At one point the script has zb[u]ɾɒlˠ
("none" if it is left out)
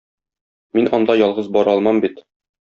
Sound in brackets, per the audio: ɒ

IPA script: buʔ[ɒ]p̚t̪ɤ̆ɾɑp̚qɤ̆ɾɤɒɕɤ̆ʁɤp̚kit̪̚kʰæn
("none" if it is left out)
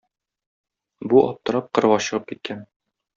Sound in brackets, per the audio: ɒ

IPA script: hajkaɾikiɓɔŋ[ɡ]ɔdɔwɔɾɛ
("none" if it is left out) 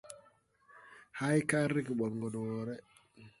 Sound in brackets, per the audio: ɡ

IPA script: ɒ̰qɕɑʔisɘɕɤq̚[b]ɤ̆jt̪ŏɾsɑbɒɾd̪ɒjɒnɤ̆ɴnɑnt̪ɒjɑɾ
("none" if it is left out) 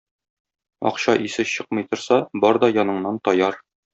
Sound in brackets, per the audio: m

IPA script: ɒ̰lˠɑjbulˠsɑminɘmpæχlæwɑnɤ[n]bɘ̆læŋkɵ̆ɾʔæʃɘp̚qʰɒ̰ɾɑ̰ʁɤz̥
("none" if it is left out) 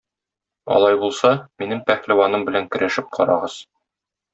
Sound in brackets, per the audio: m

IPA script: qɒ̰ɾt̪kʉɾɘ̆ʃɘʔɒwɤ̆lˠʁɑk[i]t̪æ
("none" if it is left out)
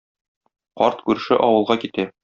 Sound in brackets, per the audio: i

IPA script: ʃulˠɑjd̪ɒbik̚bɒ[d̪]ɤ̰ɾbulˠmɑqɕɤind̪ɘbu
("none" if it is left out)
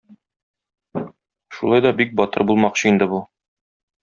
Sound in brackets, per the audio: t̪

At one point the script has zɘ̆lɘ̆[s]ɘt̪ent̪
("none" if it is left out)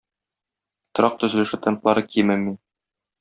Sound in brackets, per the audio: ʃ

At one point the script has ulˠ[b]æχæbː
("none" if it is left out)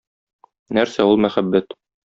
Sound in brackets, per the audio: m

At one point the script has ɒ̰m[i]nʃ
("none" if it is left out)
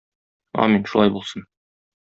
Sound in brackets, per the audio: i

